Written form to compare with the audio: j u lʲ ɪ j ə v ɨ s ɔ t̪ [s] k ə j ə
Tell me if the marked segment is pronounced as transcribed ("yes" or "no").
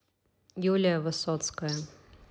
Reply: yes